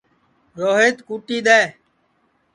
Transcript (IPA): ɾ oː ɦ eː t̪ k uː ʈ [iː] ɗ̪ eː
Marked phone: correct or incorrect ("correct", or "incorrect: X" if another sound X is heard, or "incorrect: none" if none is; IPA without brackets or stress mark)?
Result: correct